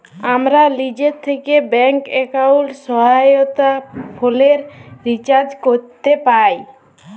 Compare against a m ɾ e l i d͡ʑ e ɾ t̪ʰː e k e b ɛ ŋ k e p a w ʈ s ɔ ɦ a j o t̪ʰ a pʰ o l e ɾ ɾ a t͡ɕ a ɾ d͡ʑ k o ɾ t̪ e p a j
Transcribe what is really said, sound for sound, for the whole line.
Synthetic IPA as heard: a m ɾ a l i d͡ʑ e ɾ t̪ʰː e k e b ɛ ŋ k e k a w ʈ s ɔ ɦ a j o t̪ a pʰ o l e ɾ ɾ i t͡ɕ a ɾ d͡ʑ k o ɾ t̪ e p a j

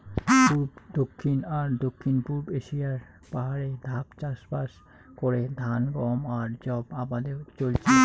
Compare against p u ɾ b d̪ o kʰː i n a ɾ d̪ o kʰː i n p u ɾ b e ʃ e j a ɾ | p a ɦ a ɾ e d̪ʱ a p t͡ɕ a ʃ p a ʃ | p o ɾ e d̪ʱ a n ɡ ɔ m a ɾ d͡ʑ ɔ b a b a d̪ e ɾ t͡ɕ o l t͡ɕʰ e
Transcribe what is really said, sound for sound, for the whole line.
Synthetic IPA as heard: p u ɾ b d̪ o kʰː i n a ɾ d̪ o kʰː i n p u ɾ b e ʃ i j a ɾ | p a ɦ a ɾ e d̪ʱ a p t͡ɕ a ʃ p a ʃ | k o ɾ e d̪ʱ a n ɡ ɔ m a ɾ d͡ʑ ɔ b a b a d̪ e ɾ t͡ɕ o l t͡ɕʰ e

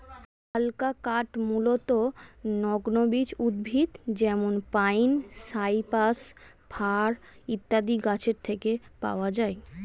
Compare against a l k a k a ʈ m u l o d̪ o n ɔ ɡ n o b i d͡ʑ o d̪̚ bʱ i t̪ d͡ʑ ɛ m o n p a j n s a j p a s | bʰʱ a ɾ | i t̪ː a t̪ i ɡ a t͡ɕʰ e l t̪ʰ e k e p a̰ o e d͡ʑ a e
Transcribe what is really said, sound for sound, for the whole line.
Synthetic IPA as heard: a l k a k a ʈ m u l o t̪ o n ɔ ɡ n o b i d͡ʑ u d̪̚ bʱ i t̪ d͡ʑ ɛ m o n p a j n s a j p a s | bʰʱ a ɾ | i t̪ː a d̪ i ɡ a t͡ɕʰ e ɾ t̪ʰ e k e p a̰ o a d͡ʑ a e

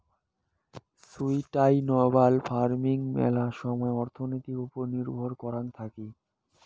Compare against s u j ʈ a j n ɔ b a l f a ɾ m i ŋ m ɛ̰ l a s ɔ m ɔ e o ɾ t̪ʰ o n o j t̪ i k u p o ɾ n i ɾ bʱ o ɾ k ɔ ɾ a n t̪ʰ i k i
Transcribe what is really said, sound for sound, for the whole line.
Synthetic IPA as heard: s u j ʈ a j n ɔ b a l f a ɾ m i ŋ m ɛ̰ l a ʃ ɔ m ɔ e ɔ ɾ t̪ʰ o n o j t̪ i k u p o ɾ n i ɾ bʱ o ɾ k ɔ ɾ a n t̪ʰ a k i

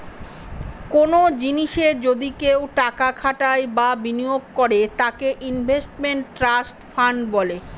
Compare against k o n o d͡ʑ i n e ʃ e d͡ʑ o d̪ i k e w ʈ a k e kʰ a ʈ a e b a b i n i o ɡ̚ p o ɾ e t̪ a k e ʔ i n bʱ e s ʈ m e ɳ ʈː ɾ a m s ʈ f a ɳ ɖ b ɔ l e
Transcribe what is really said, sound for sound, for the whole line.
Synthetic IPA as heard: k o n o d͡ʑ i n i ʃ e d͡ʑ o d̪ i k e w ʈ a k a kʰ a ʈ a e b a b i n i o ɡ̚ k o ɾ e t̪ a k e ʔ i n bʱ e s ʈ m e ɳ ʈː ɾ a s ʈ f a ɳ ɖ b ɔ l e

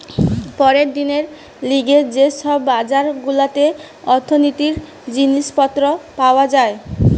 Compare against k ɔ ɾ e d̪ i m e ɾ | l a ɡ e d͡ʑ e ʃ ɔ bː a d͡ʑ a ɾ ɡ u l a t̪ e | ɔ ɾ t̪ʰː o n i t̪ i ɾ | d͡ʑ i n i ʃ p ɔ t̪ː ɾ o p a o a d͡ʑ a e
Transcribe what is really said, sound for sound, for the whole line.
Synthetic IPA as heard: p ɔ ɾ e d̪ i n e ɾ | l i ɡ e d͡ʑ e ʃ ɔ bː a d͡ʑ a ɾ ɡ u l a t̪ e | ɔ ɾ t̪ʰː o n i t̪ i ɾ | d͡ʑ i n i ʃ p ɔ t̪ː ɾ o p a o a d͡ʑ a e

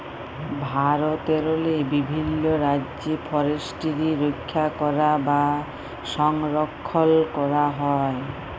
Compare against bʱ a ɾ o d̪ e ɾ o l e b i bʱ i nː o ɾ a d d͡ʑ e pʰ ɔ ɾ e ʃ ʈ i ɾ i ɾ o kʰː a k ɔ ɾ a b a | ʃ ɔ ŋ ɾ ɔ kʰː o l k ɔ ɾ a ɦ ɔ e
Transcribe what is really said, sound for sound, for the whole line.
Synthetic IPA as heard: bʱ a ɾ o t̪ e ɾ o l e b i bʱ i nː o ɾ a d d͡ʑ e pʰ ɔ ɾ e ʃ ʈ i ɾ i ɾ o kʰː a k ɔ ɾ a b a | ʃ ɔ ŋ ɾ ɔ kʰː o l k ɔ ɾ a ɦ ɔ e

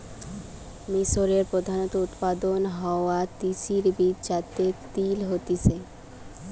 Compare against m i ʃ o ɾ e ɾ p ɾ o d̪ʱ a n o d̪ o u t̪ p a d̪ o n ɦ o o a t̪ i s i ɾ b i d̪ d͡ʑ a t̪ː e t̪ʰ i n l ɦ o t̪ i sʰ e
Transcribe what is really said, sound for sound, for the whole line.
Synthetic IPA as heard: m i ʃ o ɾ e ɾ p ɾ o d̪ʱ a n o t̪ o u t̪ p a d̪ o n ɦ ɔ o a t̪ i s i ɾ b i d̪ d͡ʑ a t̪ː e t̪ i l ɦ o t̪ i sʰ e

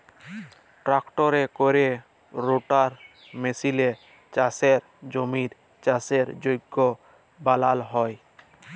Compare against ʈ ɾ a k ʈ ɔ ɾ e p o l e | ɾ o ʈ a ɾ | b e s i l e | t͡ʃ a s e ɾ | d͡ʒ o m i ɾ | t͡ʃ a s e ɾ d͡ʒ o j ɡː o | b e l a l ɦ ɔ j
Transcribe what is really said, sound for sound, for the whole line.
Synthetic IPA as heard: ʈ ɾ a k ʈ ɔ ɾ e k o ɾ e | ɾ o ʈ a ɾ | m e s i l e | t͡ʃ a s e ɾ | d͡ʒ o m i ɾ | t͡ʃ a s e ɾ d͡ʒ o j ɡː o | b a l a l ɦ ɔ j

